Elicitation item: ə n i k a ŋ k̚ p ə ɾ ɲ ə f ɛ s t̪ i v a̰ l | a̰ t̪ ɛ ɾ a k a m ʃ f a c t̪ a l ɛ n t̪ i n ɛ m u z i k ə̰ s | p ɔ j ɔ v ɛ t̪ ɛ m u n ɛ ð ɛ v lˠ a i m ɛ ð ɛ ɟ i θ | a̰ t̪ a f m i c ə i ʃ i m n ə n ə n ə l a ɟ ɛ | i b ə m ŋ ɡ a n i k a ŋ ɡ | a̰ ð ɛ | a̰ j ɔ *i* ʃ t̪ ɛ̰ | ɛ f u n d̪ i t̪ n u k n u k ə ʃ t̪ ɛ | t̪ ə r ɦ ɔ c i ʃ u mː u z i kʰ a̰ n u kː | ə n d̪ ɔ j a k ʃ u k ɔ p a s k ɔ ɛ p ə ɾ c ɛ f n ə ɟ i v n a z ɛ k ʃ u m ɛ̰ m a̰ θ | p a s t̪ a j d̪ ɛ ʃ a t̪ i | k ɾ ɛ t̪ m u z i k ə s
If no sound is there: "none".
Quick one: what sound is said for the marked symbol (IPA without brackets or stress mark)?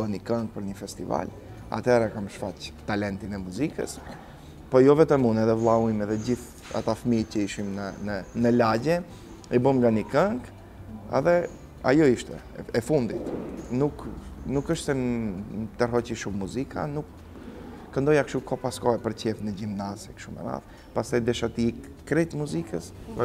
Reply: i